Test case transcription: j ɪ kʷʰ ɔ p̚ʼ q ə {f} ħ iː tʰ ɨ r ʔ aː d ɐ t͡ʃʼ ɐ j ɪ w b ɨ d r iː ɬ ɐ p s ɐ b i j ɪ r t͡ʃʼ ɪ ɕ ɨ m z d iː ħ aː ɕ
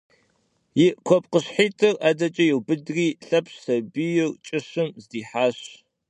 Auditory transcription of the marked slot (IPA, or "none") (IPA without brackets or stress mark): ɕ